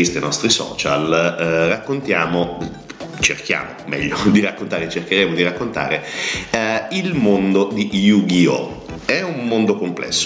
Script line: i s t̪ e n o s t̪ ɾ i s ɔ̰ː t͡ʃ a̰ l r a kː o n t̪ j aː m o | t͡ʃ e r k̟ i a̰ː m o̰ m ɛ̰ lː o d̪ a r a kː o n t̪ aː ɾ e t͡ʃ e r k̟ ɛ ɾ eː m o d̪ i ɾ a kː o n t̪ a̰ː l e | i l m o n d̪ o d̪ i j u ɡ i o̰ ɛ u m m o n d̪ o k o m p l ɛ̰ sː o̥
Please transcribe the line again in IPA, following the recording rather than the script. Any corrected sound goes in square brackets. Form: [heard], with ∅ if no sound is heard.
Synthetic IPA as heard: i s t̪ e n [ɔ] s t̪ ɾ i s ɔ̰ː t͡ʃ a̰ l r a kː o n t̪ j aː m o | t͡ʃ e r k̟ [j] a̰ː m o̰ m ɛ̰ [ʎː] o d̪ [i] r a kː o n t̪ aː ɾ e t͡ʃ e r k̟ [e] ɾ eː m o d̪ i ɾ a kː o n t̪ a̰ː [ɾ] e | i l m o n d̪ o d̪ i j u ɡ i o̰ ɛ u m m o n d̪ o k o m p l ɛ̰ sː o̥